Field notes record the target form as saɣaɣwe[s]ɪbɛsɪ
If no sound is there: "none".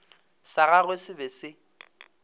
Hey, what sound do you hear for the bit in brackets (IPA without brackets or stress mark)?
s